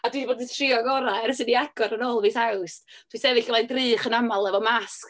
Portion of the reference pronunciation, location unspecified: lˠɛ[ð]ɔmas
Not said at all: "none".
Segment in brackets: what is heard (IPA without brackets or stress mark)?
v